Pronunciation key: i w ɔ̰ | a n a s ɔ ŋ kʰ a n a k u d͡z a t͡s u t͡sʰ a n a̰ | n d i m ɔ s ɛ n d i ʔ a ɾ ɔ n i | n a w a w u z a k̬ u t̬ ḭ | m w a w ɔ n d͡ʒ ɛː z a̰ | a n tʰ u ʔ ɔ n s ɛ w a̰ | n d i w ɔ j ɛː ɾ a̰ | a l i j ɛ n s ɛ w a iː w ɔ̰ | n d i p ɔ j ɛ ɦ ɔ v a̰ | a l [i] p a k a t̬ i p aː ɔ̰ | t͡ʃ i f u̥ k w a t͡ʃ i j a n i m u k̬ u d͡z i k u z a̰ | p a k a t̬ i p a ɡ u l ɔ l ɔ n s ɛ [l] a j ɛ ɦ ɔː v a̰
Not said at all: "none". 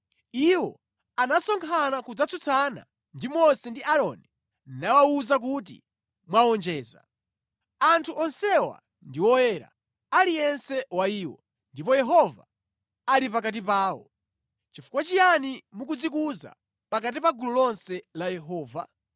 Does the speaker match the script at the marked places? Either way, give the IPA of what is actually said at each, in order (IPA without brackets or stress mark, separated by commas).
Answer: i, l